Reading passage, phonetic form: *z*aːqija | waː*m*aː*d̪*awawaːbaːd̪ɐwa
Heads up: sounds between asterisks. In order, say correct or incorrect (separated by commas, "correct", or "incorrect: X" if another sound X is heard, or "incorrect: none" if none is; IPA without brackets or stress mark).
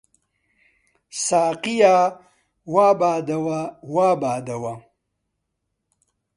incorrect: s, incorrect: b, correct